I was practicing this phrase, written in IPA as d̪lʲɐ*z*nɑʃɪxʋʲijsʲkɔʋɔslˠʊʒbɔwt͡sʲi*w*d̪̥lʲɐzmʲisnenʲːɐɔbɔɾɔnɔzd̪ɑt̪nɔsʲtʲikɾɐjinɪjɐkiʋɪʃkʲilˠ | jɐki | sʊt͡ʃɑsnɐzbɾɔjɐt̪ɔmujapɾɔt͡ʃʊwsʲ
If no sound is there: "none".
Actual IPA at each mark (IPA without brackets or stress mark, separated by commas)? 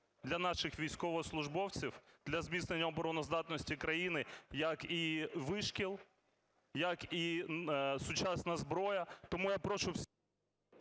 none, w